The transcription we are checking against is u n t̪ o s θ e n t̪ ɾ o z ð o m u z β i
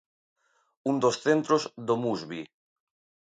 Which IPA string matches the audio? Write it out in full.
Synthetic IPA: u n d̪ o s θ e n t̪ ɾ o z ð o m u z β i